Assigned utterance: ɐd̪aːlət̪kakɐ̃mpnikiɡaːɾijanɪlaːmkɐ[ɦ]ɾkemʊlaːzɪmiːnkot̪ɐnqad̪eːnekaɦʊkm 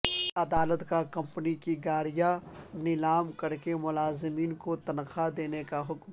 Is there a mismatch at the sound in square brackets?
yes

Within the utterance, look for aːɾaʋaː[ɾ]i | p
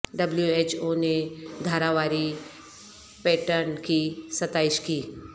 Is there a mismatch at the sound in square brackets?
no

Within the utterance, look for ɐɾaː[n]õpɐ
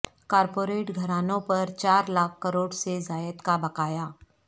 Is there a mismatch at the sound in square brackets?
no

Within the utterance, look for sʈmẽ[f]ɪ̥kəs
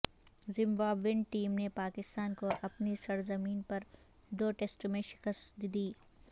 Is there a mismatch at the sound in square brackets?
yes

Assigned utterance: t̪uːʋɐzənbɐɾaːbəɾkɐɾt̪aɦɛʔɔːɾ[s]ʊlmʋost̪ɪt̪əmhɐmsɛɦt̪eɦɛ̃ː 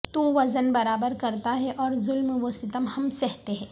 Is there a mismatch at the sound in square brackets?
yes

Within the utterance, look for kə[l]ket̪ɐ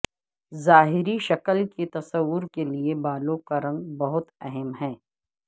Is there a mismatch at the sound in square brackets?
no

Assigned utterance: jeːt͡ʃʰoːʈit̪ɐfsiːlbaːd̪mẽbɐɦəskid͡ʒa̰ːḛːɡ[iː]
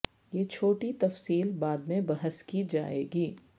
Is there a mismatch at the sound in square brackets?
no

